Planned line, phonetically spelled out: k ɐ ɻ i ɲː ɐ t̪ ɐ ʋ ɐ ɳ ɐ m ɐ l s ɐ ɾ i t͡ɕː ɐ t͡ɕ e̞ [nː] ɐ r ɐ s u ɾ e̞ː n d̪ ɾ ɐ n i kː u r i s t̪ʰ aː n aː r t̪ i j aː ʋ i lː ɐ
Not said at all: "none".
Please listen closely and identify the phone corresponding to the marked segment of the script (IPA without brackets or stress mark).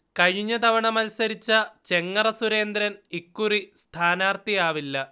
ŋː